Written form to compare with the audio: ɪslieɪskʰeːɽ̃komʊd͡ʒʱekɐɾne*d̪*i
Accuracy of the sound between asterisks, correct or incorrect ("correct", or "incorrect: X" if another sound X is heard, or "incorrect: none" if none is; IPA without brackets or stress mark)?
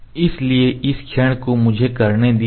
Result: correct